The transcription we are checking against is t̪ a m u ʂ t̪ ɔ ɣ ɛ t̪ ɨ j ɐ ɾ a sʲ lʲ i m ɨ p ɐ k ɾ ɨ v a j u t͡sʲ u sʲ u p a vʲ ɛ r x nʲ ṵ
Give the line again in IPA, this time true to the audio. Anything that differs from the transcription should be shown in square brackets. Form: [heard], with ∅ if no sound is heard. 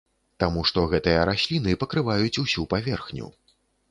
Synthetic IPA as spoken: t̪ a m u ʂ t̪ ɔ ɣ ɛ t̪ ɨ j ɐ ɾ a sʲ lʲ i [n] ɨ p ɐ k ɾ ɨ v a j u t͡sʲ u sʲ u p a vʲ ɛ r x nʲ ṵ